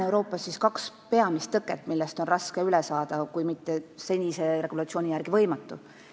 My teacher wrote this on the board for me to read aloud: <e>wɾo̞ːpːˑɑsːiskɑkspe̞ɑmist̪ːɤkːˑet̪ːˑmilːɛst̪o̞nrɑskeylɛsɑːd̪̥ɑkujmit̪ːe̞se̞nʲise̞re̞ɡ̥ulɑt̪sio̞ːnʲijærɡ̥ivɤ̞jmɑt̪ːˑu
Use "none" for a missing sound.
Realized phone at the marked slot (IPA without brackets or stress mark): e